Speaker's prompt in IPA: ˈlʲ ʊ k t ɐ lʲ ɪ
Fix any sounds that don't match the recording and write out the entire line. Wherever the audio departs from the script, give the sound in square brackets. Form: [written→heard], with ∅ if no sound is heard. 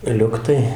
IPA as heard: ˈlʲ ʊ k t ɐ [lʲ→∅] ɪ